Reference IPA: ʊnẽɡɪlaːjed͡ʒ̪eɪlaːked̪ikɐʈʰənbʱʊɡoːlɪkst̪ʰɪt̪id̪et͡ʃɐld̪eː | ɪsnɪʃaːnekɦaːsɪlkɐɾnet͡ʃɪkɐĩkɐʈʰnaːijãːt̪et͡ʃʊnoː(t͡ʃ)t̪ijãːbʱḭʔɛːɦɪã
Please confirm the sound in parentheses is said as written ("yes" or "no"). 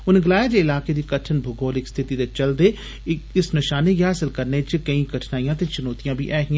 no